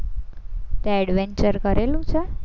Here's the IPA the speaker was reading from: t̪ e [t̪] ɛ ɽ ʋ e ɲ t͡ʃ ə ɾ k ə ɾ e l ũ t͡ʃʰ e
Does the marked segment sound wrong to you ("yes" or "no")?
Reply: yes